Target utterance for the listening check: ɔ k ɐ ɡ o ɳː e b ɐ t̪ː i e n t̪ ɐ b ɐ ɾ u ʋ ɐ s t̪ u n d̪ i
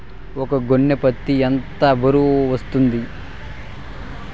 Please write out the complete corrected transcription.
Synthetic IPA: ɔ k ɐ ɡ o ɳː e p ɐ t̪ː i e n t̪ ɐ b ɐ ɾ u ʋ ɐ s t̪ u n d̪ i